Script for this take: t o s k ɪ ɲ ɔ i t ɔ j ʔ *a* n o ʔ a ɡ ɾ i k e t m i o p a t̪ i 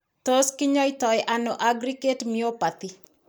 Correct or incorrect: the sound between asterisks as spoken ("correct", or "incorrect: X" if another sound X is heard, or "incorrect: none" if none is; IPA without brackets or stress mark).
correct